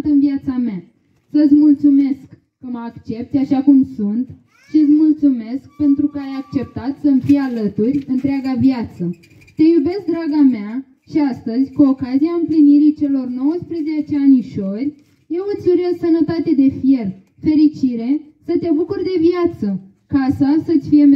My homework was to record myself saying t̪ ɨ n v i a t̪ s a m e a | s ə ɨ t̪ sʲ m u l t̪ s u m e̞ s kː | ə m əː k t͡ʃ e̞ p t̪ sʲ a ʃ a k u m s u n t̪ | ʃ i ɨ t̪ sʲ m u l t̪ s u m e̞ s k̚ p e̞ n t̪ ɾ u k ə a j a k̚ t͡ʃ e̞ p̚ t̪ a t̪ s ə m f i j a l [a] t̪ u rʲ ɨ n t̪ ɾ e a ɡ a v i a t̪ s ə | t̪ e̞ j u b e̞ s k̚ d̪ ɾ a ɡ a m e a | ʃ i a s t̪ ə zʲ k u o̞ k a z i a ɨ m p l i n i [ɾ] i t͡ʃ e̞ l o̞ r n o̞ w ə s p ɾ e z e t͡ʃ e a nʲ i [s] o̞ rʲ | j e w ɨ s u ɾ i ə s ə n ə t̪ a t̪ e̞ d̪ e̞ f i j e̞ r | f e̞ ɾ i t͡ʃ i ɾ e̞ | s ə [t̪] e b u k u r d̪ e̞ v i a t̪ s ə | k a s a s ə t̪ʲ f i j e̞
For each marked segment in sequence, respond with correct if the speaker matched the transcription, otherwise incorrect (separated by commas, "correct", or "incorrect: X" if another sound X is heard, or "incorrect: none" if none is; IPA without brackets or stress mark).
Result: incorrect: ə, correct, incorrect: ʃ, correct